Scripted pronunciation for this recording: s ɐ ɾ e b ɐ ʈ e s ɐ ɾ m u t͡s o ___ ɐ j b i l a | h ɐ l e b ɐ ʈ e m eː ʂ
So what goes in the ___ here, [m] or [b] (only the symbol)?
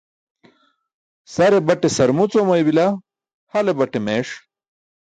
m